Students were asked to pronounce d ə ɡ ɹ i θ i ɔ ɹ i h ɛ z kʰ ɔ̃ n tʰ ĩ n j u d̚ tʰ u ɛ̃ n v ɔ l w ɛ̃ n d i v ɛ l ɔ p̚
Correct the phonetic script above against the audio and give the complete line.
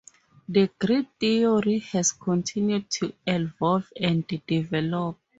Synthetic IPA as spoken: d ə ɡ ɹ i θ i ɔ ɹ i h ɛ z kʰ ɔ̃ n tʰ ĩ n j u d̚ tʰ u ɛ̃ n v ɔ l v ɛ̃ n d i v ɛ l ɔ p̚

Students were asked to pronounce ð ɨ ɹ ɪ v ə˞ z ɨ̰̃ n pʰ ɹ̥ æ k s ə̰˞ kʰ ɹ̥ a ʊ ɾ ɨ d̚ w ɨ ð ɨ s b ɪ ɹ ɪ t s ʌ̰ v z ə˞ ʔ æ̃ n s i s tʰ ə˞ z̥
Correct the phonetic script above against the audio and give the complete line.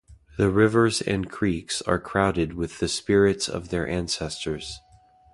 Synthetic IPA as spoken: ð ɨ ɹ ɪ v ə˞ z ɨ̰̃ n kʰ ɹ̥ i k s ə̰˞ kʰ ɹ̥ a ʊ ɾ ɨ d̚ w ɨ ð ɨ s p ɪ ɹ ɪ t s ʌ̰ v ð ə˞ ʔ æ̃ n s ɛ s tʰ ə˞ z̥

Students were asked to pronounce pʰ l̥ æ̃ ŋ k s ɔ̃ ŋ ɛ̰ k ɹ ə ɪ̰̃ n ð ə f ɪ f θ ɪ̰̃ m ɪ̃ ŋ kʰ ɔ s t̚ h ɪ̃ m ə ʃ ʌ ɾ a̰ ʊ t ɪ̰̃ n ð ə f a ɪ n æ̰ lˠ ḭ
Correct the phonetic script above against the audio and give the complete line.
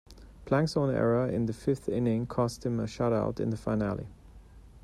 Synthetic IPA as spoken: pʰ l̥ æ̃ ŋ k s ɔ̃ n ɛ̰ ɹ ə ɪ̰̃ n ð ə f ɪ f θ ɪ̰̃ n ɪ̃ ŋ kʰ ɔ s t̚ h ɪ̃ m ə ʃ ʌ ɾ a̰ ʊ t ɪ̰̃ n ð ə f a ɪ n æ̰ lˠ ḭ

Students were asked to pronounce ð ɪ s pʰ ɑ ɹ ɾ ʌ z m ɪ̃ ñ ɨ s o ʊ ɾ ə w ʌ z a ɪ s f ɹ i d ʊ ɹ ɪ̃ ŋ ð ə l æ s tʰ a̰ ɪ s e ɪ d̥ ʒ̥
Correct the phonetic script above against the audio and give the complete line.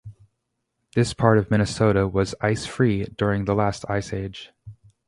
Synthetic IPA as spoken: ð ɪ s pʰ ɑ ɹ ɾ ʌ v m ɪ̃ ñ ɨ s o ʊ ɾ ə w ʌ z a ɪ s f ɹ i d ʊ ɹ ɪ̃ ŋ ð ə l æ s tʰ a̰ ɪ s e ɪ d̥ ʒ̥

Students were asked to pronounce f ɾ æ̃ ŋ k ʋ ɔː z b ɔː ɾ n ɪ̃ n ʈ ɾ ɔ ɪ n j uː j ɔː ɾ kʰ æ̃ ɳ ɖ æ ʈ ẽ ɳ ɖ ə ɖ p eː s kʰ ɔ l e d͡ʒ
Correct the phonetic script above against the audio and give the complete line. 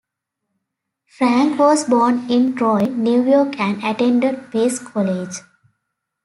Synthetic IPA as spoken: f ɾ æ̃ ŋ k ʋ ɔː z b ɔː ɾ n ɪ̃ n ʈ ɾ ɔ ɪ n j uː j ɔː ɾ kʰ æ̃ ɳ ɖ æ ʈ ẽ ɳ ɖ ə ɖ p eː s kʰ ɔ l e d͡ʒ

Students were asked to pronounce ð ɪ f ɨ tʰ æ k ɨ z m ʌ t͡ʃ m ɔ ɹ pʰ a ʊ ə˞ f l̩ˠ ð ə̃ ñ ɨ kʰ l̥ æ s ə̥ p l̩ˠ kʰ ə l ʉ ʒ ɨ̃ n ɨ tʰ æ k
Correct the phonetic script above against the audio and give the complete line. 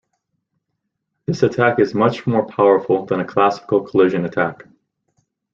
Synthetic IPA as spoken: ð ɪ s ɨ tʰ æ k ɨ z m ʌ t͡ʃ m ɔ ɹ pʰ a ʊ ə˞ f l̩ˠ ð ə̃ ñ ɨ kʰ l̥ æ s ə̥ k l̩ˠ kʰ ə l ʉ ʒ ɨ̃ n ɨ tʰ æ k

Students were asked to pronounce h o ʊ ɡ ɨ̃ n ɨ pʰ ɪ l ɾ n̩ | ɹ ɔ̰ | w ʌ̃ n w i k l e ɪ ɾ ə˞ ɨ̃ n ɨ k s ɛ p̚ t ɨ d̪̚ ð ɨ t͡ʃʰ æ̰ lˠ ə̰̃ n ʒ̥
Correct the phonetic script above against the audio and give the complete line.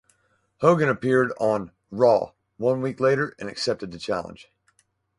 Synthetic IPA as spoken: h o ʊ ɡ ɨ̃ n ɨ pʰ ɪ ɹ ɾ n̩ | ɹ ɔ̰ | w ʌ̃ n w i k l e ɪ ɾ ə˞ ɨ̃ n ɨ k s ɛ p̚ t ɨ d̪̚ ð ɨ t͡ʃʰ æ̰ lˠ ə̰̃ n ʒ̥

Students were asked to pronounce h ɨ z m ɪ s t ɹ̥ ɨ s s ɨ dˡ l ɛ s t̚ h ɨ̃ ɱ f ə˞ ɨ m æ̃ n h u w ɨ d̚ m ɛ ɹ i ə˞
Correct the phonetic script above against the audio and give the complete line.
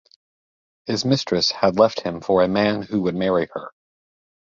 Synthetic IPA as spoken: h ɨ z m ɪ s t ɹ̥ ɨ s h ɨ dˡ l ɛ f t̚ h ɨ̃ ɱ f ə˞ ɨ m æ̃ n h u w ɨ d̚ m ɛ ɹ i ə˞

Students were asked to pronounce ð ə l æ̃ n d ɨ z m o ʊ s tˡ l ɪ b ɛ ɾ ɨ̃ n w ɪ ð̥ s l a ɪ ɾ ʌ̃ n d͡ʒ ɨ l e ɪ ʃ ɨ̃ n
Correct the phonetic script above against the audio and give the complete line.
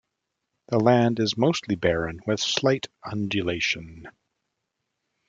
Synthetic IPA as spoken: ð ə l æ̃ n d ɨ z m o ʊ s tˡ l i b ɛ ɹ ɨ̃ n w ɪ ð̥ s l a ɪ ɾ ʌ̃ n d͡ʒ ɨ l e ɪ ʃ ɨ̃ n

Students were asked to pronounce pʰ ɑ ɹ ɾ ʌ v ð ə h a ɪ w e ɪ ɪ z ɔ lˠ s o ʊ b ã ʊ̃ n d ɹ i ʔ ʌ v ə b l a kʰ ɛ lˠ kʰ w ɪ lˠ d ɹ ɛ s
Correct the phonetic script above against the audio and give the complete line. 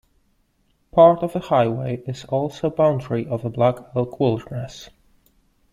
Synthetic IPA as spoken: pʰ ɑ ɹ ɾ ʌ v ð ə h a ɪ w e ɪ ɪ z ɔ lˠ s o ʊ b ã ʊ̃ n d ɹ i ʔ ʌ v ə b l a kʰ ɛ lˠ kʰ w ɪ lˠ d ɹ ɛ s

